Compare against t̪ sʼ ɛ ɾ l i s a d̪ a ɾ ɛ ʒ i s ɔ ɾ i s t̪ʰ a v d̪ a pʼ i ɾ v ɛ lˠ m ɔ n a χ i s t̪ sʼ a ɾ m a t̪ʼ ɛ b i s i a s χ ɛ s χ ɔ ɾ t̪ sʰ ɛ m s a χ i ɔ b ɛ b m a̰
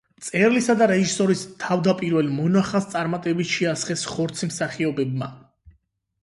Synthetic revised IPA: t̪ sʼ ɛ ɾ l i s a d̪ a ɾ ɛ ʒ i s ɔ ɾ i s t̪ʰ a v d̪ a pʼ i ɾ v ɛ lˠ m ɔ n a χ a s t̪ sʼ a ɾ m a t̪ʼ ɛ b i ʃ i a s χ ɛ s χ ɔ ɾ t̪ sʰ i m s a χ i ɔ b ɛ b m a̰